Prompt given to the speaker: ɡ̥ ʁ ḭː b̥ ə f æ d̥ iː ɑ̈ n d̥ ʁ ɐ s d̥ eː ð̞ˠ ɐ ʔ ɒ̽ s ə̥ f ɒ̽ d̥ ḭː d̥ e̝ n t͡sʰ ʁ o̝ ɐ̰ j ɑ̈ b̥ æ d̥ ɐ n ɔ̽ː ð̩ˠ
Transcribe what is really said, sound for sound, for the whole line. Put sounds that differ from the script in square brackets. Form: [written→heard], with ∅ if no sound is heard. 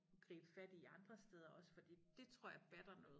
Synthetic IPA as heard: ɡ̥ ʁ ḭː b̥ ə f æ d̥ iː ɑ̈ n d̥ ʁ ɐ s d̥ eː ð̞ˠ ɐ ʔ ɒ̽ s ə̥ f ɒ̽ d̥ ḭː d̥ e̝ [n→∅] t͡sʰ ʁ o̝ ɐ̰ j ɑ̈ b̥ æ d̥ ɐ n ɔ̽ː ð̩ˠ